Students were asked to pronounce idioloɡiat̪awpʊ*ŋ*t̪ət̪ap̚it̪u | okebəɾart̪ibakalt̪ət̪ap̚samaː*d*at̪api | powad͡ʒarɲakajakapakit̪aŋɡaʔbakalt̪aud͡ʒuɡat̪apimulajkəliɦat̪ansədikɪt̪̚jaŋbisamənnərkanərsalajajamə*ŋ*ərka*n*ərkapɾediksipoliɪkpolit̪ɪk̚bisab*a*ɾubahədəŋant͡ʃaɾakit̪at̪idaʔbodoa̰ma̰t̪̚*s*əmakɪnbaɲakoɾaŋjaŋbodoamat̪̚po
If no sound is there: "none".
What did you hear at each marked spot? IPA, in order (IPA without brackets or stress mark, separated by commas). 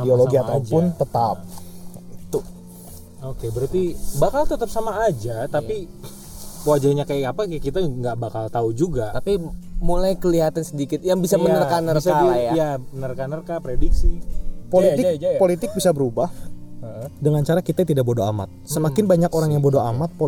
n, d͡ʒ, n, n, ə, s